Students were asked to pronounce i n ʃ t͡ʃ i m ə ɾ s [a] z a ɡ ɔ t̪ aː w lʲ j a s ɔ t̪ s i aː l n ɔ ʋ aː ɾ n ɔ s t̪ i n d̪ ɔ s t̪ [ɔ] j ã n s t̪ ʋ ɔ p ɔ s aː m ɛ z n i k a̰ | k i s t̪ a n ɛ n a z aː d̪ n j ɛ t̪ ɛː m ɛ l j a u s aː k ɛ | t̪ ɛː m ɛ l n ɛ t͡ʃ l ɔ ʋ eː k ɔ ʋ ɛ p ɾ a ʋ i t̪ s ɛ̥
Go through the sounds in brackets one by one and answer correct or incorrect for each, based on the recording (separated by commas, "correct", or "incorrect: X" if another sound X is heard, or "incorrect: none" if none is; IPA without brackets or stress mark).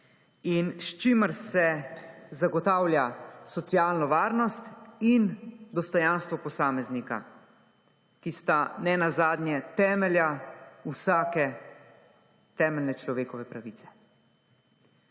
incorrect: ɛ, correct